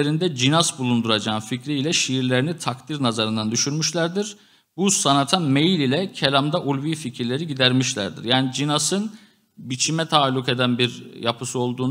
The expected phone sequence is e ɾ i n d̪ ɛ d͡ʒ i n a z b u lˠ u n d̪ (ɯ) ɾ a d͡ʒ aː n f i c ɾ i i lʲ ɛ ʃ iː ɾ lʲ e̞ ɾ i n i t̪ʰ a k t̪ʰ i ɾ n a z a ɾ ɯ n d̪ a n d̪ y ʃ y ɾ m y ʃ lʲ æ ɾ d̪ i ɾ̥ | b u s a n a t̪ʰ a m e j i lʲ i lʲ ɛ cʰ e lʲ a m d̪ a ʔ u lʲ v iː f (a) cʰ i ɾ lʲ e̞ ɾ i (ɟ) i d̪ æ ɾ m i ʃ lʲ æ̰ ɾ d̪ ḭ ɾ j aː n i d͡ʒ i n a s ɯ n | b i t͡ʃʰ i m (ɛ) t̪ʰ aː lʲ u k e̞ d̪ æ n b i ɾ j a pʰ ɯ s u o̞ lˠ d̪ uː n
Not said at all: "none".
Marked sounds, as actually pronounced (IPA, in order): u, i, ɟ, ɛ

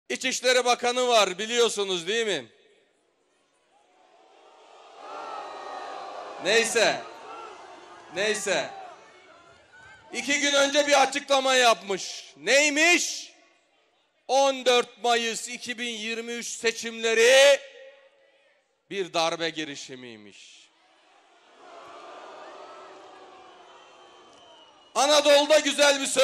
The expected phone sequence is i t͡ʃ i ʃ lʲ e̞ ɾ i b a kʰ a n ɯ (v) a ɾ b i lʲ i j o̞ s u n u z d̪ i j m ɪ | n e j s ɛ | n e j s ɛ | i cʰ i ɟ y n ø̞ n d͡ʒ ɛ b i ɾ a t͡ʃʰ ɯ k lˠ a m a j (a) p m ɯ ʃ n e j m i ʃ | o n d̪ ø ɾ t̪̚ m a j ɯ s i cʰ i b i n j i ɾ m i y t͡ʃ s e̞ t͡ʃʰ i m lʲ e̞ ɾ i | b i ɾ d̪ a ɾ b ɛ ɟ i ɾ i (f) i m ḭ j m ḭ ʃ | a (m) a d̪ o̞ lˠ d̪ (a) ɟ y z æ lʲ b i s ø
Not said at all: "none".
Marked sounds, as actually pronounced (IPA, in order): v, a, ʃ, n, a

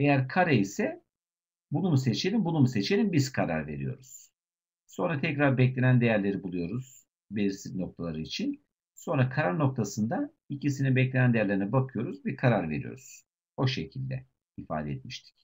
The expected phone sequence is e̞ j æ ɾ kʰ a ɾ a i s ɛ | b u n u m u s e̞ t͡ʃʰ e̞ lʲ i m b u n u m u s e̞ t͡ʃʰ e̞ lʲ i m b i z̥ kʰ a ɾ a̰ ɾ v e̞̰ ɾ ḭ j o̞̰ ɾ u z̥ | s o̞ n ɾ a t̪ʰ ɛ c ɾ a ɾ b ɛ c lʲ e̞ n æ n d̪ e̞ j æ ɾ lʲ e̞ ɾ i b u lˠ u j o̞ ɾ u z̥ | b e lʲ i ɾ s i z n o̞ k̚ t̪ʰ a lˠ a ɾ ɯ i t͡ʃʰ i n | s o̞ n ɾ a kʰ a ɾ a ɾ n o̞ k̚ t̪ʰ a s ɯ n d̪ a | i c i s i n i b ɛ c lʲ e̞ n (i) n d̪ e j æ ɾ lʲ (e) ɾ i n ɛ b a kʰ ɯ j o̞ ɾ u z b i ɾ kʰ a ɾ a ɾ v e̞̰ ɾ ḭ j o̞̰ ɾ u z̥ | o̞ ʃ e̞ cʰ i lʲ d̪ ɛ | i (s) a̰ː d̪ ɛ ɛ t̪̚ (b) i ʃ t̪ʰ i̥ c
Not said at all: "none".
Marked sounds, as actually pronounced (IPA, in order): æ, e, f, m

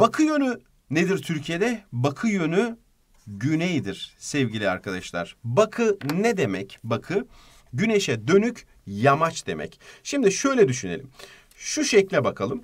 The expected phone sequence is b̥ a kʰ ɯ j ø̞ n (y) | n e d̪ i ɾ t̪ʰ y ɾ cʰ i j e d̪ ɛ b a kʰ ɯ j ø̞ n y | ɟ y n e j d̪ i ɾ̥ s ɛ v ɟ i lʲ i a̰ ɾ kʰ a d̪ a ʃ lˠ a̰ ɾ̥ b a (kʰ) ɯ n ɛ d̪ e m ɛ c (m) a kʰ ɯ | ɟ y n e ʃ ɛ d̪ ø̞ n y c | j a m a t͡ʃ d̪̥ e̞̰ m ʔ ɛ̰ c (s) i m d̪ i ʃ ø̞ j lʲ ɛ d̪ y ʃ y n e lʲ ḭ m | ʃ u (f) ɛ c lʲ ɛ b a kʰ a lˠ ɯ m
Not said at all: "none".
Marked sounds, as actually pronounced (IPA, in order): y, kʰ, b, ʃ, ʃ

